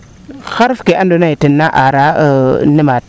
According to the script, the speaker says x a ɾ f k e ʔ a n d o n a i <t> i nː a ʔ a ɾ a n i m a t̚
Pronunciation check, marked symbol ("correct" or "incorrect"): correct